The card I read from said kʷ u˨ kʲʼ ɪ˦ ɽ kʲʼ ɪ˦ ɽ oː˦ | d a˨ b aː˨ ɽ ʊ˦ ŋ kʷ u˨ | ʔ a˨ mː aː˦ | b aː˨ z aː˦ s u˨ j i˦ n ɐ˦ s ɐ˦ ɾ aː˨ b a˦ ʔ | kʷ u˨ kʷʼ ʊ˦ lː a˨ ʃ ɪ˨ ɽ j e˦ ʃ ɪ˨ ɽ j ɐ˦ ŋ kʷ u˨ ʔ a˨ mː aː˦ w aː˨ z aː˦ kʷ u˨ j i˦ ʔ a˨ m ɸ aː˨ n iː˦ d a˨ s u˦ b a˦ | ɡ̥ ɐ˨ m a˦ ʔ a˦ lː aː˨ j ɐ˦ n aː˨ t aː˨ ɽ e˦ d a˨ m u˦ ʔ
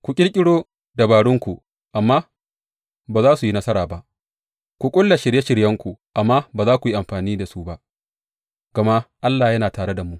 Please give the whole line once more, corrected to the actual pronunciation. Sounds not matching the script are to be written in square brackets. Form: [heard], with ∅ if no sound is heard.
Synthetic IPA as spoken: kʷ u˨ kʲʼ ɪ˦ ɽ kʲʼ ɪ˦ ɽ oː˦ | d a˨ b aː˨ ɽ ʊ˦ ŋ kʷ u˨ | ʔ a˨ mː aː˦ | b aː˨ z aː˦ s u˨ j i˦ n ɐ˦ s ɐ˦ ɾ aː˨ b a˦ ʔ | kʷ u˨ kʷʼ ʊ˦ lː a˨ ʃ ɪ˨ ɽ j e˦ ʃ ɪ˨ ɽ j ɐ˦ ŋ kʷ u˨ ʔ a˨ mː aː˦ [b] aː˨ z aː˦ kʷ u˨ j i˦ ʔ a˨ m ɸ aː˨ n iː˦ d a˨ s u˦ b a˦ | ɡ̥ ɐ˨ m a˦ ʔ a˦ lː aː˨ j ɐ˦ n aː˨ t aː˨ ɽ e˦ d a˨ m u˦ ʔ